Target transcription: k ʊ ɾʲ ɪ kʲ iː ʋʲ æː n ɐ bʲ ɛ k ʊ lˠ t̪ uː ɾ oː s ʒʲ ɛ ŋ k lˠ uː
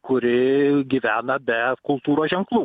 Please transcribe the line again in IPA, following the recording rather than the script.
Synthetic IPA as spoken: k ʊ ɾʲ ɪ ɡʲ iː ʋʲ æː n ɐ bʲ ɛ k ʊ lˠ t̪ uː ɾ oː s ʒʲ ɛ ŋ k lˠ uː